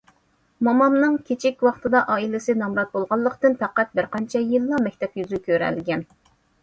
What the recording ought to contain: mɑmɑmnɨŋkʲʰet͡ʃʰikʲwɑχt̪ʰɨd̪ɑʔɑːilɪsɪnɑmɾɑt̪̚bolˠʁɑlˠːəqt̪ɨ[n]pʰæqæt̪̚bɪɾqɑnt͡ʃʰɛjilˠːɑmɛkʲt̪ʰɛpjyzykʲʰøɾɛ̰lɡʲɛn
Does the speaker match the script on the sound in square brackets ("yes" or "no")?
yes